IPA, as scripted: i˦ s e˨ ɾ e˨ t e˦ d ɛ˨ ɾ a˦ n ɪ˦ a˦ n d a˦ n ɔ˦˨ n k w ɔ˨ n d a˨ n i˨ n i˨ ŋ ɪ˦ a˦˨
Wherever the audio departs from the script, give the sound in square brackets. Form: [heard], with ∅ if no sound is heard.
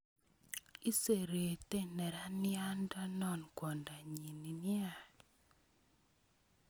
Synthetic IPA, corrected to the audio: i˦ s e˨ ɾ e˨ t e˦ [n] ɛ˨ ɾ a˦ n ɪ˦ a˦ n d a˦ n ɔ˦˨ n k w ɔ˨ n d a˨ [ɲ] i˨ n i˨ [n] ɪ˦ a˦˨